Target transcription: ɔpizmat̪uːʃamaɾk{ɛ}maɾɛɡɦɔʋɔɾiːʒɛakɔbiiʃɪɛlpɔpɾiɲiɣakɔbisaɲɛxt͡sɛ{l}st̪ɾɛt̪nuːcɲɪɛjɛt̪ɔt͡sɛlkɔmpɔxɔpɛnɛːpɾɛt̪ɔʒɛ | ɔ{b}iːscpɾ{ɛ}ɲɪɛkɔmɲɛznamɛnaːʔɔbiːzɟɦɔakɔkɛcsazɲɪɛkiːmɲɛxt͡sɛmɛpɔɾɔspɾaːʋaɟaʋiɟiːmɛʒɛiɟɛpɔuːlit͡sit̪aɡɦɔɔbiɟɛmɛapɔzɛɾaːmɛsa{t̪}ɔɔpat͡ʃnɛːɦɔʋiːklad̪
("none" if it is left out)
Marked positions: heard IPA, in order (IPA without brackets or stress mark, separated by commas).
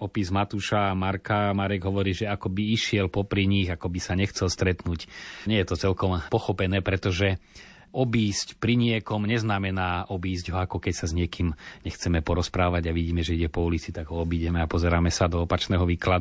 a, l, b, i, d̪